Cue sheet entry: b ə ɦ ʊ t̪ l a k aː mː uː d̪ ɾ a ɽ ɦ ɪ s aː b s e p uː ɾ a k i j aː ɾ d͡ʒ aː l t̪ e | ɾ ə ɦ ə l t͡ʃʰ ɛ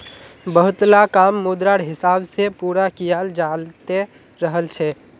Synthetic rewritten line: b ə ɦ ʊ t̪ l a k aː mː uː d̪ ɾ a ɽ ɦ ɪ s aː b s e p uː ɾ a k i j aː l d͡ʒ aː l t̪ e | ɾ ə ɦ ə l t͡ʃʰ ɛ